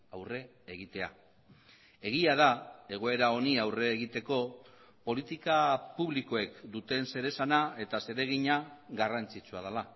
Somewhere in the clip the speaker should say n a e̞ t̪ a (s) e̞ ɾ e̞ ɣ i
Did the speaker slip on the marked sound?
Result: no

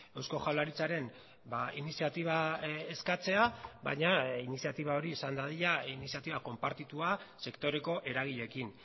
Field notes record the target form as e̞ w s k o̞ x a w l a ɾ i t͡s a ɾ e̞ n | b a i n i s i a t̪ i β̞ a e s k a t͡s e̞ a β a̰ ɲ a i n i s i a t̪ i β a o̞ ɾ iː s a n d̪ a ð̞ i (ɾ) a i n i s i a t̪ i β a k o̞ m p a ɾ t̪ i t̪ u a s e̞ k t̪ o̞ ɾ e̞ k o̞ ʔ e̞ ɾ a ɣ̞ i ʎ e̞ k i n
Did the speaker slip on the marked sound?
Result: yes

